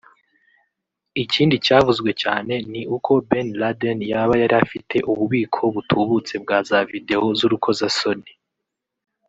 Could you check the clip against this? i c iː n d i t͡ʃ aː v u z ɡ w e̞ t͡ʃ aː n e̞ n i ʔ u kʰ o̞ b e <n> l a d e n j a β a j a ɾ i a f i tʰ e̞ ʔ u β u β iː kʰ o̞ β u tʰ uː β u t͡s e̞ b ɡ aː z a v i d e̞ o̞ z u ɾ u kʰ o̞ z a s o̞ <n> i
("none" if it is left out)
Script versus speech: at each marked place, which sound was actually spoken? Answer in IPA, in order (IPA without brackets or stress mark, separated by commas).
n, n